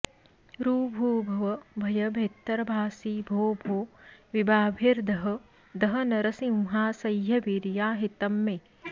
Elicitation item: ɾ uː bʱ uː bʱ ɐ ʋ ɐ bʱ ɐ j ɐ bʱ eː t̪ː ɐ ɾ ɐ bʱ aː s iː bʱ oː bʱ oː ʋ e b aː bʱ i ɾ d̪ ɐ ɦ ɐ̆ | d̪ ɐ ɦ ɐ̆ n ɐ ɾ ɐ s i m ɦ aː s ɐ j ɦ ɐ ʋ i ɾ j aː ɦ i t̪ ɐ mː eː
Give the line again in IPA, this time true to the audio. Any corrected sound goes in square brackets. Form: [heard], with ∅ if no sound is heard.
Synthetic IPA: ɾ uː bʱ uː bʱ ɐ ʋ ɐ bʱ ɐ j ɐ bʱ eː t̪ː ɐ ɾ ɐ bʱ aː s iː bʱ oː bʱ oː ʋ [i] b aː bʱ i ɾ d̪ ɐ ɦ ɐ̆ | d̪ ɐ ɦ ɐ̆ n ɐ ɾ ɐ s i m ɦ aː s ɐ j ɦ ɐ ʋ i ɾ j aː ɦ i t̪ ɐ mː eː